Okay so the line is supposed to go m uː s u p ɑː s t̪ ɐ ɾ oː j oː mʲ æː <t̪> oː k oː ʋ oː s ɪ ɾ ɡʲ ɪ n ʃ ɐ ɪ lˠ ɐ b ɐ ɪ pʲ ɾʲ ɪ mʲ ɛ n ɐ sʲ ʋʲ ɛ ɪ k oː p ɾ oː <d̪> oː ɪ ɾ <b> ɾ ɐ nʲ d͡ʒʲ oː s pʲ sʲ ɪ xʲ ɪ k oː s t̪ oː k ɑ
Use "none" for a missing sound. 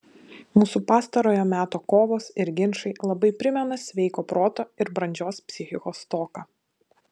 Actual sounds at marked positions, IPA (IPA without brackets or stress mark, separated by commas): t̪, t̪, b